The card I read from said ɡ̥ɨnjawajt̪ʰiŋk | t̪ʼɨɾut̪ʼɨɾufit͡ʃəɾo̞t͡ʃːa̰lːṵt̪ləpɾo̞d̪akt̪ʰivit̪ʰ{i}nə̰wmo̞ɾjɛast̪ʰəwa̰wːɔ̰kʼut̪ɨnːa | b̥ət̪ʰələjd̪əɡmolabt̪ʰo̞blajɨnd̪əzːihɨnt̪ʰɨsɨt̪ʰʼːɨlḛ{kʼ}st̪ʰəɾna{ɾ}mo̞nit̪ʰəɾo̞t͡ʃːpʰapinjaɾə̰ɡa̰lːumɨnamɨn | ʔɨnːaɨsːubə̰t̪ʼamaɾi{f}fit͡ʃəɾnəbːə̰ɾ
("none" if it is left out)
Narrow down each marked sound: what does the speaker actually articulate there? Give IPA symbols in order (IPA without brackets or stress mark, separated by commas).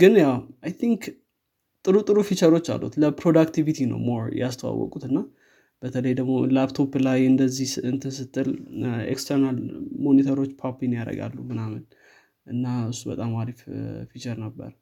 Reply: i, k, l, f